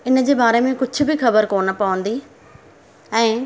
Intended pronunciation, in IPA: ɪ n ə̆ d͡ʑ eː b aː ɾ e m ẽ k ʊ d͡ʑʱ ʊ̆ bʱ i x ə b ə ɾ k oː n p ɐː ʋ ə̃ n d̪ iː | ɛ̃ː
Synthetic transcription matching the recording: ɪ n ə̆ d͡ʑ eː b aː ɾ e m ẽ k ʊ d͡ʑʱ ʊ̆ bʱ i x ɐ b ə ɾ k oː n p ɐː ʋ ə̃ n d̪ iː | ɛ̃ː